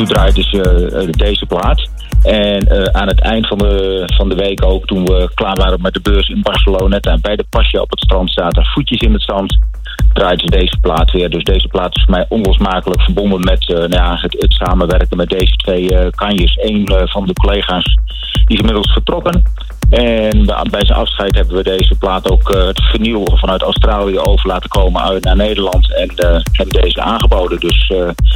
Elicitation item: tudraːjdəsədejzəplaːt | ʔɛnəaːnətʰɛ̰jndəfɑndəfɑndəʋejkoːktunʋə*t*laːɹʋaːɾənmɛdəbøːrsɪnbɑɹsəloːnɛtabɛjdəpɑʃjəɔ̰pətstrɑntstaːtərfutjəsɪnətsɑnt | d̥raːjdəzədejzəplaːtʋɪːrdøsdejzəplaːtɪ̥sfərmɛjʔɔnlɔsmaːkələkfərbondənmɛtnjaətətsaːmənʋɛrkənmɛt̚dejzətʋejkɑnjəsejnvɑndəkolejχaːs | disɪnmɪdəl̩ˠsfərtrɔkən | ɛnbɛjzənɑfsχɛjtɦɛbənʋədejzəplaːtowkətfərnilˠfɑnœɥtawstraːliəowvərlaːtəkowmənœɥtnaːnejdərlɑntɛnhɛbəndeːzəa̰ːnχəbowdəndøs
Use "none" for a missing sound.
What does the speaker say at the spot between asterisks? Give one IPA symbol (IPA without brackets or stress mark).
k